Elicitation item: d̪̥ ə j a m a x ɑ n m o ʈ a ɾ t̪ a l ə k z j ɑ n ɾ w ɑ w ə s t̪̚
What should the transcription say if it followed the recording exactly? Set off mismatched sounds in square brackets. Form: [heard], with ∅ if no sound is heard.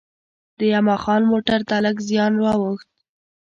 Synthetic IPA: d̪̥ ə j a m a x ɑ n m o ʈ a ɾ t̪ a l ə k z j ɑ n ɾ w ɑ w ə [x] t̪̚